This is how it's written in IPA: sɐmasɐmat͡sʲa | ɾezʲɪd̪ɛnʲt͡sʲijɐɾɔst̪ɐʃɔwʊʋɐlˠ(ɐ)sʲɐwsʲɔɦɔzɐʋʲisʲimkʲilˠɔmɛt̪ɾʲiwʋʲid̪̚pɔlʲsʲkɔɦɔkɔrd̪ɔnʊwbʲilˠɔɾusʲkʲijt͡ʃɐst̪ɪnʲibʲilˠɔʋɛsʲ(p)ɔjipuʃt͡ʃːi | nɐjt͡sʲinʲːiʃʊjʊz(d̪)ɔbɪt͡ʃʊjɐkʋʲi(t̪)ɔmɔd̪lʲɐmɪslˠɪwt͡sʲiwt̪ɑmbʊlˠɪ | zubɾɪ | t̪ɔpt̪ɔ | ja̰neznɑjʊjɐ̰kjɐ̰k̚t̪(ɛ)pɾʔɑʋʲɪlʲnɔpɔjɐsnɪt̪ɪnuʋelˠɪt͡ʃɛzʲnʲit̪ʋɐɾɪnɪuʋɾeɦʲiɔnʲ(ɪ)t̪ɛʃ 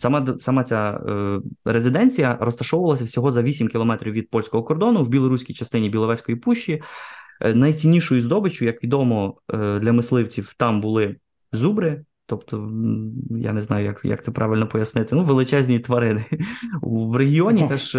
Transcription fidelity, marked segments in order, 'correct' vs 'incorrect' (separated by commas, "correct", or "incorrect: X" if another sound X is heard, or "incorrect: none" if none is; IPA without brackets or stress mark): correct, incorrect: k, correct, incorrect: d̪, correct, incorrect: i